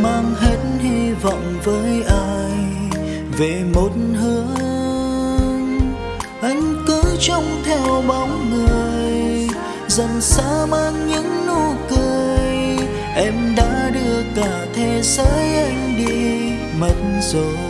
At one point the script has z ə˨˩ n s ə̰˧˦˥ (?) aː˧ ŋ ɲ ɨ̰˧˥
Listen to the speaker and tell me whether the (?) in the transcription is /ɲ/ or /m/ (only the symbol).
m